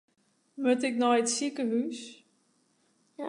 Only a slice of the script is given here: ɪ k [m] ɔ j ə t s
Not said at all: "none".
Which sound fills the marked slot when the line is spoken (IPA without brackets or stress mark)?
n